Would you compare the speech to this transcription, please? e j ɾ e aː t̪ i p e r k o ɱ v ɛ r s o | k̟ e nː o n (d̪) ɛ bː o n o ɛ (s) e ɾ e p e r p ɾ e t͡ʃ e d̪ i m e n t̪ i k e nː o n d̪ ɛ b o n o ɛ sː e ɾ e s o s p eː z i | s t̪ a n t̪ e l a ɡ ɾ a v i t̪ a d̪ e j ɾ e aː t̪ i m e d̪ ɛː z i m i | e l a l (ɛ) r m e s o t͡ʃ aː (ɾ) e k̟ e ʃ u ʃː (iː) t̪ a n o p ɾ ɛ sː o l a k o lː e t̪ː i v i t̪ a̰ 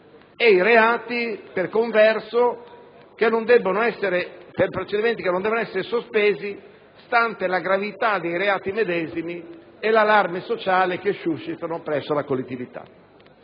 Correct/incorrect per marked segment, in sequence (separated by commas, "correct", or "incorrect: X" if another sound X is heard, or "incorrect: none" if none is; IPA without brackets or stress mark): correct, incorrect: sː, incorrect: a, incorrect: l, incorrect: i